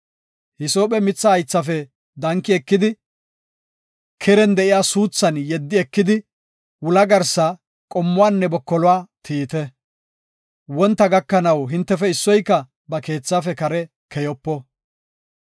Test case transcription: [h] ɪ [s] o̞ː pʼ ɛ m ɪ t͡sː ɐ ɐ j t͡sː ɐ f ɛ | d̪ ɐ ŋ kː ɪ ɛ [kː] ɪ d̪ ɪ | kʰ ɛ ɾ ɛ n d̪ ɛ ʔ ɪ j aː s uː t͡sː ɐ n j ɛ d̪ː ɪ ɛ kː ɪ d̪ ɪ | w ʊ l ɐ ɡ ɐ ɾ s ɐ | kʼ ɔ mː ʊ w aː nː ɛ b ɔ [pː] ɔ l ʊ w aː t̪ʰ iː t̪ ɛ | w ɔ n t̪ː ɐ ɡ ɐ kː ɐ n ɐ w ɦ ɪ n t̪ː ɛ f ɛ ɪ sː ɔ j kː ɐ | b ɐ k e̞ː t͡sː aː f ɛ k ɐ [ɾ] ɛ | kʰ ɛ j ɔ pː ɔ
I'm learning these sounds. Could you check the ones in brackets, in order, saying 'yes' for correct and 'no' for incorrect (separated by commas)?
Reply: yes, yes, yes, no, yes